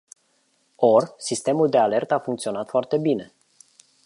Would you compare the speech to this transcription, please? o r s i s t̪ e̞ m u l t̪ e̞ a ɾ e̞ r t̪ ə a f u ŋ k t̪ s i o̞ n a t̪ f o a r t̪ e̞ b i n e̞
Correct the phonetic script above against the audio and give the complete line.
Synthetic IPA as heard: o r s i s t̪ e̞ m u l d̪ e̞ a l e̞ r t̪ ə a f u ŋ k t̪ s i o̞ n a t̪ f o a r t̪ e̞ b i n e̞